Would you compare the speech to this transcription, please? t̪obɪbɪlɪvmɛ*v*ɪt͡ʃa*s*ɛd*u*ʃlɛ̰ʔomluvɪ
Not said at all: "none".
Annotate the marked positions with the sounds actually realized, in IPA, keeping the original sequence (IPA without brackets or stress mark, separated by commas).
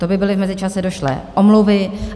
z, s, o